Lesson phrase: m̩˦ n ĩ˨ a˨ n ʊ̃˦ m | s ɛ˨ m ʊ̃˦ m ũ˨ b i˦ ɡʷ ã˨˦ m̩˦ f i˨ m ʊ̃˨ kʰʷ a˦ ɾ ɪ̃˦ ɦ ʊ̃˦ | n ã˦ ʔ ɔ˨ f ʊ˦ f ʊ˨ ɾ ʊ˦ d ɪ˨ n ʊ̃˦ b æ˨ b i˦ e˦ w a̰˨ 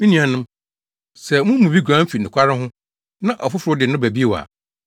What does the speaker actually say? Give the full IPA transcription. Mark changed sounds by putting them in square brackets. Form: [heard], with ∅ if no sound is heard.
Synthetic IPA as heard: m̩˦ n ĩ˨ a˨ n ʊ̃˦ m | s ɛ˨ m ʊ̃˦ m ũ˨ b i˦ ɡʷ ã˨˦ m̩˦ f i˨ [n] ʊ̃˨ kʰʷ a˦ ɾ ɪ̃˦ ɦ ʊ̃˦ | n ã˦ ʔ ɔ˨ f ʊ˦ f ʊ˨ ɾ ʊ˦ d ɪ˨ n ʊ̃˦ b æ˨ b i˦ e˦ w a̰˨